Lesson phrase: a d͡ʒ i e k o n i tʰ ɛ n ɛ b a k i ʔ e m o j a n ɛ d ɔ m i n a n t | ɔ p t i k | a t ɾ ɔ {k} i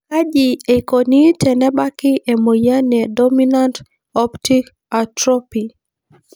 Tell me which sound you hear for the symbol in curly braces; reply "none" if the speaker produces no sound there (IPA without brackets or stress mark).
p